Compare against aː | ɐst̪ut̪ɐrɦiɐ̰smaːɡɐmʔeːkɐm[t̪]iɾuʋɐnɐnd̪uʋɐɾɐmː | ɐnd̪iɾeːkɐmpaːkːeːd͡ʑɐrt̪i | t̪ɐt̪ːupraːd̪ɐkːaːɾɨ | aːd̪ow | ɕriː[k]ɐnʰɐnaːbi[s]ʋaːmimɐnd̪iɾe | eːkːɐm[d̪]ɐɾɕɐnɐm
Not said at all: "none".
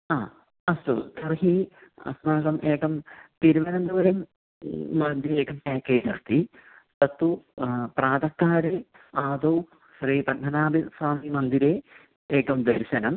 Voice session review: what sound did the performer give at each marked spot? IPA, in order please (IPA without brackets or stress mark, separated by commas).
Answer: t̪, p, s, d̪